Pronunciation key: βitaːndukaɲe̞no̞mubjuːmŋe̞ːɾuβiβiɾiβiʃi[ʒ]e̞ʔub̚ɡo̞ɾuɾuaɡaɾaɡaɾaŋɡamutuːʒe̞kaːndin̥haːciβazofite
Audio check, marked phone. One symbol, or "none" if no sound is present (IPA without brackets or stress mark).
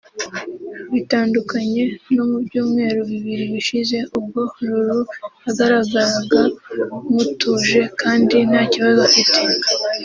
z